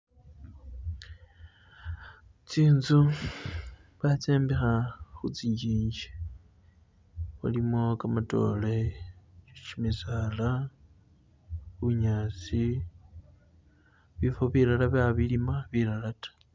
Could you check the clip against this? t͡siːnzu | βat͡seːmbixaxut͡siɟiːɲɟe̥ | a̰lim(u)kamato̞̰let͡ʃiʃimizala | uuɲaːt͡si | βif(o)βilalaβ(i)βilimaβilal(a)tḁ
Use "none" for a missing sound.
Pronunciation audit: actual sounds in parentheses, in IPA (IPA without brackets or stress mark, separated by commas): o, o, a, a